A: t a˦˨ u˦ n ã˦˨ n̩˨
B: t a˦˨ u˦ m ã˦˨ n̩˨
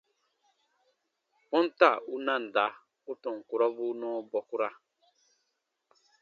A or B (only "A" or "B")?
A